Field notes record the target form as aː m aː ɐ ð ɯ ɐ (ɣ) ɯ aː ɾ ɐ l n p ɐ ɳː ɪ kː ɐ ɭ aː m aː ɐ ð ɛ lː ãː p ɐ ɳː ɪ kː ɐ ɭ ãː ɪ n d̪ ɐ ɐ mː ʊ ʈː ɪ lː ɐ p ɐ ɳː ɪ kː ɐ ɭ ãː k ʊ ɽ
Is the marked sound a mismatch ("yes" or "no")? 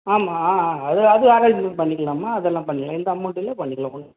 yes